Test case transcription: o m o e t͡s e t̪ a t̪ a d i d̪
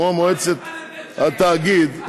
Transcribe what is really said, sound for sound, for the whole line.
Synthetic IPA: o m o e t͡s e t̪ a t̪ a ɡ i d̪